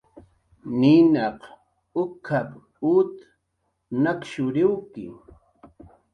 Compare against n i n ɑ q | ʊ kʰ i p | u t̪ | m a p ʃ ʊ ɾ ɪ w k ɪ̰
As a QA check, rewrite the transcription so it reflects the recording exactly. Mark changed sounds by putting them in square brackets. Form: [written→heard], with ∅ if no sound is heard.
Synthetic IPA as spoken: n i n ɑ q | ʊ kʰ [i→a] p | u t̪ | [m→n] a [p→k] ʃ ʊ ɾ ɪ w k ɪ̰

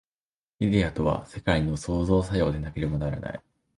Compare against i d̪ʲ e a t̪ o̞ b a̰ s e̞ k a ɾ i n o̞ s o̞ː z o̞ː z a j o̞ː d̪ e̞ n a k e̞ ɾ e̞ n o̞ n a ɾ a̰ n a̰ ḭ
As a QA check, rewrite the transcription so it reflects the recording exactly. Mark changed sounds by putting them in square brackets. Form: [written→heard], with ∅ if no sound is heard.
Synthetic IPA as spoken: i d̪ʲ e a t̪ o̞ [b→β] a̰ s e̞ k a [ɾ→∅] i n o̞ s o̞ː z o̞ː [z→s] a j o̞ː d̪ e̞ n a k e̞ ɾ e̞ [n→m] o̞ n a ɾ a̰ n a̰ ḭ

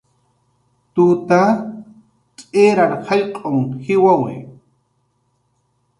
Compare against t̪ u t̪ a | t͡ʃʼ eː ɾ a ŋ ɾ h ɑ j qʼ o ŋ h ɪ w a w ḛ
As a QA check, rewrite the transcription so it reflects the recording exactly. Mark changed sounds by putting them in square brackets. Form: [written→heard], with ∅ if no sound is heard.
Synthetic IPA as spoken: t̪ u t̪ a | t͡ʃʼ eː ɾ a [ŋ→∅] ɾ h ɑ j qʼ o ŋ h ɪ w a w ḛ

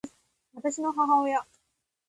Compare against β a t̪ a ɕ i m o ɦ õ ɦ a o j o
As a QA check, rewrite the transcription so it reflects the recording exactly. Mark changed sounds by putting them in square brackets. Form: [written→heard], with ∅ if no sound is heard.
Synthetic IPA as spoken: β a t̪ a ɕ i [m→n] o ɦ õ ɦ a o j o

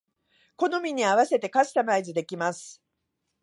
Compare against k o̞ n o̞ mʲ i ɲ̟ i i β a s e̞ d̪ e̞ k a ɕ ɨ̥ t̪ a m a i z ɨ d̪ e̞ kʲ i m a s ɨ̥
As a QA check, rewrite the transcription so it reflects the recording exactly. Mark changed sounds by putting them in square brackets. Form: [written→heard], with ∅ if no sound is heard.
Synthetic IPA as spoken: k o̞ n o̞ mʲ i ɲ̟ i [i→a] β a s e̞ [d̪→t̪] e̞ k a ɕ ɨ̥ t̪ a m a i z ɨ d̪ e̞ kʲ i m a s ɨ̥

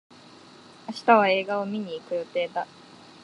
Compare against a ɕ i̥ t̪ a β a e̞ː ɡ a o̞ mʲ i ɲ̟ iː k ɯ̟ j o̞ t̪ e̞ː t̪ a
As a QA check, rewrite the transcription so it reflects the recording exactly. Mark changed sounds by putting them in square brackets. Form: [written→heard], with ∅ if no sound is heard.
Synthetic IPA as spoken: a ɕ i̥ t̪ a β a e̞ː ɡ a o̞ mʲ i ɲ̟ iː k ɯ̟ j o̞ t̪ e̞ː [t̪→d̪] a

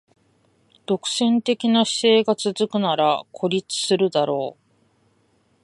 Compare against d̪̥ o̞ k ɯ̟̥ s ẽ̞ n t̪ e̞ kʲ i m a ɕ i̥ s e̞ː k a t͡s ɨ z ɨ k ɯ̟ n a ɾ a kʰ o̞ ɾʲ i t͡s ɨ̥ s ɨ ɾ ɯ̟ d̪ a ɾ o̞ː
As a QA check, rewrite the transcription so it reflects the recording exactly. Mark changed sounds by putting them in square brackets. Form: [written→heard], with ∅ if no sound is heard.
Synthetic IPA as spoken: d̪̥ o̞ k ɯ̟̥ s ẽ̞ n t̪ e̞ kʲ i [m→n] a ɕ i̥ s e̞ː [k→ɡ] a t͡s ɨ z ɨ k ɯ̟ n a ɾ a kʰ o̞ ɾʲ i t͡s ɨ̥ s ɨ ɾ ɯ̟ d̪ a ɾ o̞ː

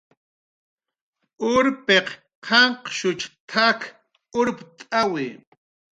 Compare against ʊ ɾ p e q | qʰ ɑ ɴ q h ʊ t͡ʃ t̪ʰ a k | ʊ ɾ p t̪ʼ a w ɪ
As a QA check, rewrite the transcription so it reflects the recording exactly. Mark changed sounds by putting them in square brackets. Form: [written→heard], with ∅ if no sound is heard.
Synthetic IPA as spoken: ʊ ɾ p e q | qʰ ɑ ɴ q [h→ʃ] ʊ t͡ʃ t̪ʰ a k | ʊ ɾ p t̪ʼ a w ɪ

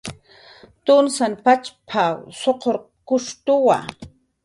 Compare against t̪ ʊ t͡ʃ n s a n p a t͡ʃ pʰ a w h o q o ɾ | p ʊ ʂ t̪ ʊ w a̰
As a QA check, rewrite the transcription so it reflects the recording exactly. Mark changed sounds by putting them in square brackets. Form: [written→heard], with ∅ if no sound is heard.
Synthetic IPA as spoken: t̪ ʊ [t͡ʃ→∅] n s a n p a t͡ʃ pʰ a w [h→s] o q o ɾ | [p→k] ʊ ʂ t̪ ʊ w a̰

